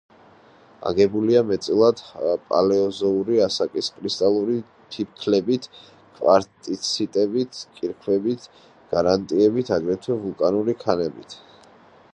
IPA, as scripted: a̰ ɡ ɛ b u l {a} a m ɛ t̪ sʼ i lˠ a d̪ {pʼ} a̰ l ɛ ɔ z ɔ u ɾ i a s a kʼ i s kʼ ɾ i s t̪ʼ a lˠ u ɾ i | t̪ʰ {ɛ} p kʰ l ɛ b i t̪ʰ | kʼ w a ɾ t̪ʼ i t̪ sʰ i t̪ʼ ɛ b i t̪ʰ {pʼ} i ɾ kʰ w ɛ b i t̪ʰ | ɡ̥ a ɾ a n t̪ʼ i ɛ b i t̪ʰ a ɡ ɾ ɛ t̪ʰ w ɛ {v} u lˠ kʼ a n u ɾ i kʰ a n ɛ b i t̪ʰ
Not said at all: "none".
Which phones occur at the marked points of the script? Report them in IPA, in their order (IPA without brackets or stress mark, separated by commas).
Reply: i, pʼ, i, kʼ, v